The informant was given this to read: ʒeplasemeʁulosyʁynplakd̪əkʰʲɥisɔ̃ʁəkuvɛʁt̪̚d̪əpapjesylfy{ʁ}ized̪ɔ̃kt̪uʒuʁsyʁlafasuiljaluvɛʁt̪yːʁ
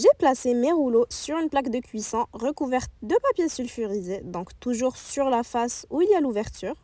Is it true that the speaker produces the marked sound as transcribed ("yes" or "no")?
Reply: yes